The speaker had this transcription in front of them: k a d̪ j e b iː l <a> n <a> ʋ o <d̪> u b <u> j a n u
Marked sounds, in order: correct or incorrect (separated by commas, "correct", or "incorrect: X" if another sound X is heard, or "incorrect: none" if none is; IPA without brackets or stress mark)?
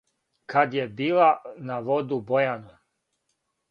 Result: correct, correct, correct, incorrect: o